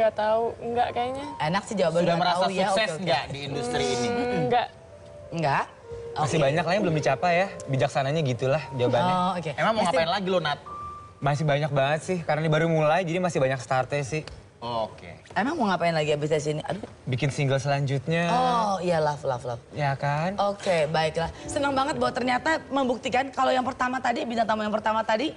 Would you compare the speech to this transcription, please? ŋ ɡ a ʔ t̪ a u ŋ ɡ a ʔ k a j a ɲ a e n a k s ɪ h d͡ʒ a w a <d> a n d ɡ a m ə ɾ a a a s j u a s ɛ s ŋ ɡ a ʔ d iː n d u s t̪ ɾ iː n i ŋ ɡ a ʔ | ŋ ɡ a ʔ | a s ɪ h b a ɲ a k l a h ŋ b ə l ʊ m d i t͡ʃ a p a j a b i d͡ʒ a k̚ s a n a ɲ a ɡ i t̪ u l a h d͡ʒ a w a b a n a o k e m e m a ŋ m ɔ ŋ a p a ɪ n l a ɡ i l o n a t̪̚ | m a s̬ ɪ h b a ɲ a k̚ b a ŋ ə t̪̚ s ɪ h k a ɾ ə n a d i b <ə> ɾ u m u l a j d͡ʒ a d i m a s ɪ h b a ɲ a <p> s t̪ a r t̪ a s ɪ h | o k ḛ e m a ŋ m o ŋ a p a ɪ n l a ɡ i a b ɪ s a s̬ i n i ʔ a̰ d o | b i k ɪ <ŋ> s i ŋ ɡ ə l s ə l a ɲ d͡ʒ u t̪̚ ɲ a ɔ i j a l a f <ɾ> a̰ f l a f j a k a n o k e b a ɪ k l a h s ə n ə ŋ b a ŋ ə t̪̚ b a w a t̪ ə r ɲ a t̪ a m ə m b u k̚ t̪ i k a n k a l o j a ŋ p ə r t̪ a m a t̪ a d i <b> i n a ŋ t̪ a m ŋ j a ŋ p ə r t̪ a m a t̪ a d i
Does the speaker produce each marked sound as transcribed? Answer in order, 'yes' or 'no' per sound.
no, no, no, no, no, yes

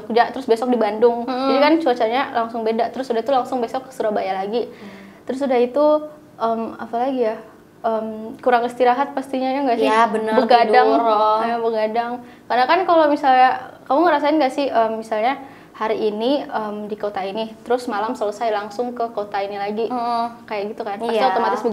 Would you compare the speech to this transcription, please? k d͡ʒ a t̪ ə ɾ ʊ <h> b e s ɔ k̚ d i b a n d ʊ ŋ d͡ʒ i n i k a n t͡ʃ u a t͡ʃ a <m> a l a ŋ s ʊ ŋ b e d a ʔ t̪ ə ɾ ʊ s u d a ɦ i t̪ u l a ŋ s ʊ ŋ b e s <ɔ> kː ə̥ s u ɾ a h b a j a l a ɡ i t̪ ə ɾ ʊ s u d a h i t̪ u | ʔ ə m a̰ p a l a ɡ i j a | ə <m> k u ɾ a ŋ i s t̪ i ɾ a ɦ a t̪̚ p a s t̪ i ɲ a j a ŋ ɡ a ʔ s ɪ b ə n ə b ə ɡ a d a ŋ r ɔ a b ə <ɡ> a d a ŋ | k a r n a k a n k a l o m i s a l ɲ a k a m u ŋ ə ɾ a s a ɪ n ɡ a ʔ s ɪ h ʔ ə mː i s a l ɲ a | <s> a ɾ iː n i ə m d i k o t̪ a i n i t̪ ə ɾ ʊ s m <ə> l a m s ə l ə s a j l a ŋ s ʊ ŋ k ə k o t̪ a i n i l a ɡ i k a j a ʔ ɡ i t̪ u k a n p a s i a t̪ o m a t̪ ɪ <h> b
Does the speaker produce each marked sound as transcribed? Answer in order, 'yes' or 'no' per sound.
no, no, yes, yes, yes, no, no, no

